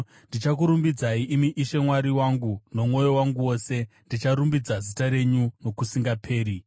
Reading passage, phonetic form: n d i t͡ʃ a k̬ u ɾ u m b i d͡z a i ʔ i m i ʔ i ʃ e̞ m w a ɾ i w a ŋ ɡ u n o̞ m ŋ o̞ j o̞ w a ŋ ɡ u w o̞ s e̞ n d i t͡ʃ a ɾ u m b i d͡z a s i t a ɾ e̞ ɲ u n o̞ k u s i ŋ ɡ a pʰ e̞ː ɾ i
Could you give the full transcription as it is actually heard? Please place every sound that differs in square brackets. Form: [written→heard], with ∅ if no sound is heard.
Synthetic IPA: n d i t͡ʃ a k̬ u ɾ u m b i d͡z a i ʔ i m i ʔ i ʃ e̞ m w a ɾ i w a ŋ ɡ u n o̞ m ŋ o̞ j o̞ w a ŋ ɡ u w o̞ s e̞ n d i t͡ʃ a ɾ u m b i d͡z a [s→z] i t a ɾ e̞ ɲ u n o̞ k u s i ŋ ɡ a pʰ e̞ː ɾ i

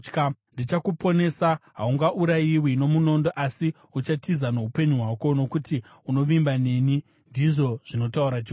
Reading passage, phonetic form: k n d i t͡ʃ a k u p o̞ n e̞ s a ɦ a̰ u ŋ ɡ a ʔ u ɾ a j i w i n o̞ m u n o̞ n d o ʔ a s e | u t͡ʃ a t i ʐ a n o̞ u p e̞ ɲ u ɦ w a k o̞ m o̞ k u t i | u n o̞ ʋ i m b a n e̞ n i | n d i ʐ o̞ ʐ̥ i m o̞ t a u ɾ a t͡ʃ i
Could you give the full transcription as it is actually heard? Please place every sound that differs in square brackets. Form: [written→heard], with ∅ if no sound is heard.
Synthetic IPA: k n d i t͡ʃ a k u p o̞ n e̞ s a ɦ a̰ u ŋ ɡ a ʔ u ɾ a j i w i n o̞ m u n o̞ n d o ʔ a s [e→i] | u t͡ʃ a t i [ʐ→z] a n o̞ u p e̞ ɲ u ɦ w a k o̞ [m→n] o̞ k u t i | u n o̞ ʋ i m b a n e̞ n i | n d i ʐ o̞ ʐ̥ i [m→n] o̞ t a u ɾ a t͡ʃ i

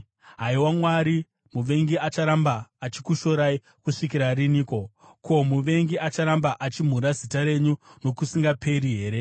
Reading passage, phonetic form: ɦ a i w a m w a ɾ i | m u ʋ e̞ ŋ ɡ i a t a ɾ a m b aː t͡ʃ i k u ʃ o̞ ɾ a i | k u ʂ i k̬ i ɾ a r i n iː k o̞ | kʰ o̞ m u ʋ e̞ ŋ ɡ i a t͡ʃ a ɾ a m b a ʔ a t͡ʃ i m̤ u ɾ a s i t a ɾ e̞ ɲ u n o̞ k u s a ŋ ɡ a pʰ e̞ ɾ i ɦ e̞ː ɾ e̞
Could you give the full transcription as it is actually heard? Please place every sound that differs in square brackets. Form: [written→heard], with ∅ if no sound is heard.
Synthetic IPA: ɦ a i w a m w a ɾ i | m u ʋ e̞ ŋ ɡ i a [t→t͡ʃ] a ɾ a m b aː t͡ʃ i k u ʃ o̞ ɾ a i | k u ʂ i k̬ i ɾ a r i n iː k o̞ | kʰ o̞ m u ʋ e̞ ŋ ɡ i a t͡ʃ a ɾ a m b a ʔ a t͡ʃ i m̤ u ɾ a [s→z] i t a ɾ e̞ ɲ u n o̞ k u s [a→i] ŋ ɡ a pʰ e̞ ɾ i ɦ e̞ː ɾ e̞

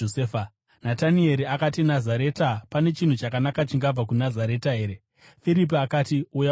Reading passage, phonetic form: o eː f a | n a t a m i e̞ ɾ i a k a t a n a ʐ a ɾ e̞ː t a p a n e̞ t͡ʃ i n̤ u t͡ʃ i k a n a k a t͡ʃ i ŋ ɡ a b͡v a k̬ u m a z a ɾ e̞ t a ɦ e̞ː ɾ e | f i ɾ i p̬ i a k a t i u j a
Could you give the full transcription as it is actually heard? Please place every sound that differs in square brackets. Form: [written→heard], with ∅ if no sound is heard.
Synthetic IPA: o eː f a | n a t a [m→n] i e̞ ɾ i a k a t [a→i] n a [ʐ→z] a ɾ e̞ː t a p a n e̞ t͡ʃ i n̤ u t͡ʃ [i→a] k a n a k a t͡ʃ i ŋ ɡ a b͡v a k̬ u [m→n] a z a ɾ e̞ t a ɦ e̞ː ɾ e | f i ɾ i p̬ i a k a t i u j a

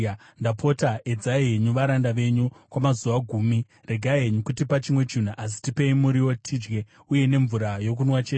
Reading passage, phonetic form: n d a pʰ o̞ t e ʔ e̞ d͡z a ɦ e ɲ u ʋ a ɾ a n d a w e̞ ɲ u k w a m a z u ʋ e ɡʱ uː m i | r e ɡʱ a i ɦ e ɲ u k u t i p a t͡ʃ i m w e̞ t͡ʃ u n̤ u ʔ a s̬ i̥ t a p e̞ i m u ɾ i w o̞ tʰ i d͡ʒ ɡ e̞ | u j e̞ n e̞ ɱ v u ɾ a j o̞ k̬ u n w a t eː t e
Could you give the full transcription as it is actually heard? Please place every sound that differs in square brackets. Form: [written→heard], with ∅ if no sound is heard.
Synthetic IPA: n d a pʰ o̞ t [e→a] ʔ e̞ d͡z a ɦ e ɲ u ʋ a ɾ a n d a [w→ʋ] e̞ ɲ u k w a m a z u ʋ [e→a] ɡʱ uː m i | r e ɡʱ a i ɦ e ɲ u k u t i p a t͡ʃ i m w e̞ t͡ʃ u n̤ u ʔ a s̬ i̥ t [a→i] p e̞ i m u ɾ i w o̞ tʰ i d͡ʒ ɡ e̞ | u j e̞ n e̞ ɱ v u ɾ a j o̞ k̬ u n w a [t→t͡ʃ] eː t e

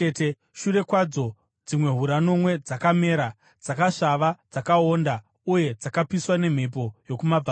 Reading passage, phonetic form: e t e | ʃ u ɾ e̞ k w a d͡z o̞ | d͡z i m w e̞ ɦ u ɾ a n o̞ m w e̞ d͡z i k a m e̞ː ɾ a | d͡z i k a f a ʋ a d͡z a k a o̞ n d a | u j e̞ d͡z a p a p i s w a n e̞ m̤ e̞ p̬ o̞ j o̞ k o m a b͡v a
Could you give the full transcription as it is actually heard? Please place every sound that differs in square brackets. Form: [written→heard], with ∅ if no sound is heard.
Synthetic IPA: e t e | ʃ u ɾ e̞ k w a d͡z o̞ | d͡z i m w e̞ ɦ u ɾ a n o̞ m w e̞ d͡z [i→a] k a m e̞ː ɾ a | d͡z [i→a] k a [f→ʂ] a ʋ a d͡z a k a o̞ n d a | u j e̞ d͡z a [p→k] a p i s w a n e̞ m̤ e̞ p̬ o̞ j o̞ k [o→u] m a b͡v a

